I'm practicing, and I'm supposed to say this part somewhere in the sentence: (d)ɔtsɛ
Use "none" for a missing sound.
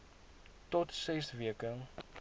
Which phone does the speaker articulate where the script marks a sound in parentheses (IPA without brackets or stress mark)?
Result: t